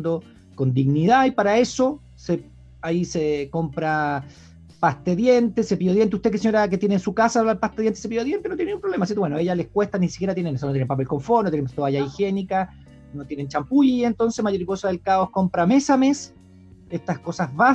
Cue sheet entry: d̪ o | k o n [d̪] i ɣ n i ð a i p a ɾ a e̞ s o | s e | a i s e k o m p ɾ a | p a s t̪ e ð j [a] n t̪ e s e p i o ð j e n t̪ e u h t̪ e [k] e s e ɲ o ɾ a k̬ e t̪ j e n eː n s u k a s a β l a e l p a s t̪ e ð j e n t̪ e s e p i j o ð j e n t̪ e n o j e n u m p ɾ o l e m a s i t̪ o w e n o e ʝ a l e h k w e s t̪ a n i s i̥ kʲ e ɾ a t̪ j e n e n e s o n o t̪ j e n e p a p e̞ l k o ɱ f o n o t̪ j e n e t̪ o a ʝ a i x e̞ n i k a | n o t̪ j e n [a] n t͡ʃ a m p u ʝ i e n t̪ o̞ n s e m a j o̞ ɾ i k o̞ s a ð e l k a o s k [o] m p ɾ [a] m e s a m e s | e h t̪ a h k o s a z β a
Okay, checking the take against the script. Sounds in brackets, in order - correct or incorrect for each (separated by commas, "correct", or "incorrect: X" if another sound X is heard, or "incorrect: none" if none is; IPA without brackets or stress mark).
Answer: correct, incorrect: e, correct, incorrect: e, correct, correct